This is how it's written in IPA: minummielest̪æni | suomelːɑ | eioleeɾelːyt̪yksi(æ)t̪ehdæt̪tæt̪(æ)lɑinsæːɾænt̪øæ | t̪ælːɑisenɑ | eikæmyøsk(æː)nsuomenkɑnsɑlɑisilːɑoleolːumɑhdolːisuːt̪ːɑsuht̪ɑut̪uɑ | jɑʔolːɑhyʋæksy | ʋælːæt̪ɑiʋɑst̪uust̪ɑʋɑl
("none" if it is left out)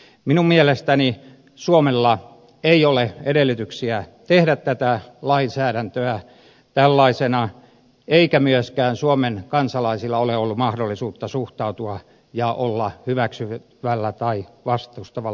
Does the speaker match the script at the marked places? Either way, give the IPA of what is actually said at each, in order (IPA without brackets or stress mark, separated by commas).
æ, æ, æː